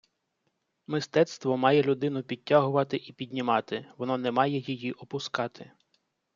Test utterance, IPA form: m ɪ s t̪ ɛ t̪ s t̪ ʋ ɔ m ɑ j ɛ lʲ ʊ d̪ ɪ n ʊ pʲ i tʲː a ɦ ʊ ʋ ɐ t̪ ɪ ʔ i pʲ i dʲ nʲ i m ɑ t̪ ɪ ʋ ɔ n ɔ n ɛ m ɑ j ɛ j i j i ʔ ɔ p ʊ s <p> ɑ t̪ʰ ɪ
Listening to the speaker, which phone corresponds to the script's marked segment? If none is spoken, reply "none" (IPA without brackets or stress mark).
k